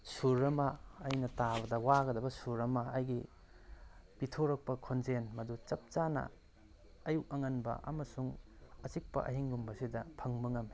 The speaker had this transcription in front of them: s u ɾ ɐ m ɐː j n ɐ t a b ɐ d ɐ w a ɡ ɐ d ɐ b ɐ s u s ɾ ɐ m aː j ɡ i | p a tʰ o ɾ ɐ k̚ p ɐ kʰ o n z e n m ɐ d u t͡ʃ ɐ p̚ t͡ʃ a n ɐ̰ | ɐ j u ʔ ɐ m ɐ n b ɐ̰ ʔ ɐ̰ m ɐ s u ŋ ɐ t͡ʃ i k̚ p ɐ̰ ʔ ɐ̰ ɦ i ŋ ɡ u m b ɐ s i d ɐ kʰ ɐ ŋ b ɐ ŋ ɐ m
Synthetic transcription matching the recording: s u ɾ ɐ m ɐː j n ɐ t a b ɐ d ɐ w a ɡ ɐ d ɐ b ɐ s u ɾ ɐ m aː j ɡ i | p i tʰ o ɾ ɐ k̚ p ɐ kʰ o n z e n m ɐ d u t͡ʃ ɐ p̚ t͡ʃ a n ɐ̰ | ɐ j u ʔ ɐ ŋ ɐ n b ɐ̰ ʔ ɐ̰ m ɐ s u ŋ ɐ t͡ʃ i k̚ p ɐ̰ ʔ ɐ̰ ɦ i ŋ ɡ u m b ɐ s i d ɐ pʰ ɐ ŋ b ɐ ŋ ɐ m